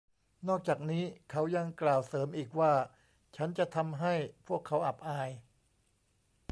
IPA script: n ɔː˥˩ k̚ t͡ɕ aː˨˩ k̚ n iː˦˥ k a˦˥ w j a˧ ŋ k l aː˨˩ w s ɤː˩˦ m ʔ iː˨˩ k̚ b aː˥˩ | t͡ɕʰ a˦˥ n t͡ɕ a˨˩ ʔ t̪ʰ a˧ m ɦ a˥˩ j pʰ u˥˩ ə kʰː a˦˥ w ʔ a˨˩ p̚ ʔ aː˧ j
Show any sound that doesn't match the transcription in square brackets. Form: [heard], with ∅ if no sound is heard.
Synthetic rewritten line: n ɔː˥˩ k̚ t͡ɕ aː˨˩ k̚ n iː˦˥ [kʰ] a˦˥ w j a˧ ŋ k l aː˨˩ w s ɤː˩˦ m ʔ iː˨˩ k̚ [w] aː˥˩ | t͡ɕʰ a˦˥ n t͡ɕ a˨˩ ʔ t̪ʰ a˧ m ɦ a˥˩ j pʰ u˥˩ ə kʰː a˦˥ w ʔ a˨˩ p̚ ʔ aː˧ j

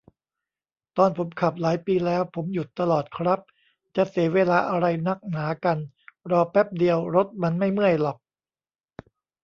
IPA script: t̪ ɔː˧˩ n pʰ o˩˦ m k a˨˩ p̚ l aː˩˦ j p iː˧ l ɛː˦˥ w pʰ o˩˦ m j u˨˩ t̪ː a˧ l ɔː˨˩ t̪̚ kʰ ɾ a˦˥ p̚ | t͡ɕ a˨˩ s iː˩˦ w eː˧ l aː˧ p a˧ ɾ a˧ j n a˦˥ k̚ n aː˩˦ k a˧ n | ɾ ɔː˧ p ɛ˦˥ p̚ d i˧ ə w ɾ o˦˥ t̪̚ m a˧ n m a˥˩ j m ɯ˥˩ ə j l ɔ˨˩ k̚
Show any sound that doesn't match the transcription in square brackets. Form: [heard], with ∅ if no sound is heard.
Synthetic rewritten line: t̪ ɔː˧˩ n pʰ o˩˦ m [kʰ] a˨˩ p̚ l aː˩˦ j p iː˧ l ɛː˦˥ w pʰ o˩˦ m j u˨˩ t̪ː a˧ l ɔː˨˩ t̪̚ kʰ ɾ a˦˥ p̚ | t͡ɕ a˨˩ s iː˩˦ w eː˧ l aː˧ [ʔ] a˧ ɾ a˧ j n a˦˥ k̚ n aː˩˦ k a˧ n | ɾ ɔː˧ p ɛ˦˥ p̚ d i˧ ə w ɾ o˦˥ t̪̚ m a˧ n m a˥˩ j m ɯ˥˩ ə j l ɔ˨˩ k̚

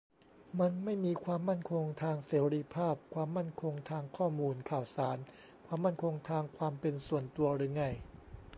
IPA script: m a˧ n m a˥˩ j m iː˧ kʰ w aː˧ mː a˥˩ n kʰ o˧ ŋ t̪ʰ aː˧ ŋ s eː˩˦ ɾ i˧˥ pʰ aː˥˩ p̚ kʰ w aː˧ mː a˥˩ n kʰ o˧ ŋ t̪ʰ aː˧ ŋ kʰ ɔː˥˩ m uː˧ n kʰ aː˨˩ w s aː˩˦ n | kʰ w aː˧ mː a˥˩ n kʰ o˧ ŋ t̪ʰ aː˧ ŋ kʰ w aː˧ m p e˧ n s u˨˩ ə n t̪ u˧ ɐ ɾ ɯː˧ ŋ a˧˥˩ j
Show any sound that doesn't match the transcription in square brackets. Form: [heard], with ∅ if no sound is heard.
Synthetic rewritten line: m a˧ n m a˥˩ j m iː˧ kʰ w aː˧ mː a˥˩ n kʰ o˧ ŋ t̪ʰ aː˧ ŋ s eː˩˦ ɾ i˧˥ pʰ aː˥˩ p̚ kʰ w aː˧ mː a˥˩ n kʰ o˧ ŋ t̪ʰ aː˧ ŋ kʰ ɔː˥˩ m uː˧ n kʰ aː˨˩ w s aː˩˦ n | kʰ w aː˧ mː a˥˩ n kʰ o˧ ŋ t̪ʰ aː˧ ŋ kʰ w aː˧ m p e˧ n s u˨˩ ə n t̪ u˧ ɐ ɾ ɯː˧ ŋ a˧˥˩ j

